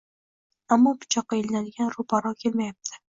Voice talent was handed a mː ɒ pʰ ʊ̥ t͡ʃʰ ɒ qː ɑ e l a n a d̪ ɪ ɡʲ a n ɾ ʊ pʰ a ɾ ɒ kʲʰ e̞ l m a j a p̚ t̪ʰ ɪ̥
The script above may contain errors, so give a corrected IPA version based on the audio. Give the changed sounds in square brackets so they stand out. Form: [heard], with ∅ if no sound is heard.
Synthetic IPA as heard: a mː ɒ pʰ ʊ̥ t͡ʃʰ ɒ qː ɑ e l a n a d̪ ɪ ɡʲ a n ɾ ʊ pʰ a ɾ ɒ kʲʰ e̞ l m a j a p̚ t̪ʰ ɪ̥